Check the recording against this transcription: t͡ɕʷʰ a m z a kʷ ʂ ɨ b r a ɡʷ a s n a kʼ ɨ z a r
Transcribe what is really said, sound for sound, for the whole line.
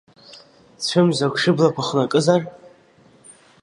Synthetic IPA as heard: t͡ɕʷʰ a m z a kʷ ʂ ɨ b l a kʷ a χ n a kʼ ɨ z a r